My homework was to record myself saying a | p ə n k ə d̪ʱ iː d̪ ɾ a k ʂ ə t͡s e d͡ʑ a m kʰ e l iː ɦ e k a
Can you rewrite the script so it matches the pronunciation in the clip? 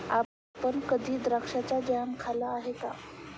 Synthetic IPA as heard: a | p ə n k ə d̪ʱ iː d̪ ɾ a k ʂ a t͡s a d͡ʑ a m kʰ a l aː ɦ e k a